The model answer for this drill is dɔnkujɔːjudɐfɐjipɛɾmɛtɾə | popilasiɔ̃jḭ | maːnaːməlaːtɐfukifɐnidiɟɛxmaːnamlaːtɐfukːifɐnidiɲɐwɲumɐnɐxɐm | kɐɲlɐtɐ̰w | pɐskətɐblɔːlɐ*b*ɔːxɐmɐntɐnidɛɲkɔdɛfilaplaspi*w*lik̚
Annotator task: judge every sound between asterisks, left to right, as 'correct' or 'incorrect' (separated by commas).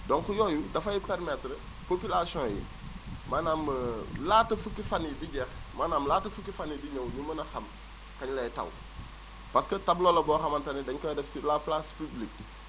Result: correct, incorrect